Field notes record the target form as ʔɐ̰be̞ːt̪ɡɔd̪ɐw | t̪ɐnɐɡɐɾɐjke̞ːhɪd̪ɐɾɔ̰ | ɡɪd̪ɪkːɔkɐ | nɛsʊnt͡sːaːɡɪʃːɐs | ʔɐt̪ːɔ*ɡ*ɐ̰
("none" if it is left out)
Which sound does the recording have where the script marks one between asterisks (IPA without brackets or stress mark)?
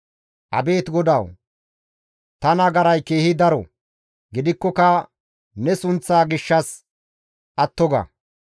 ɡ